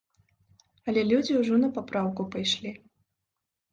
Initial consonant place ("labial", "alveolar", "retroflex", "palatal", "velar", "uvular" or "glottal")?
alveolar